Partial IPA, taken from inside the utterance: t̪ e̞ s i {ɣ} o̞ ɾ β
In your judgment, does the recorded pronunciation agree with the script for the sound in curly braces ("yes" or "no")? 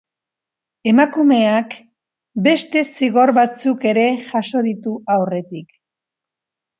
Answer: yes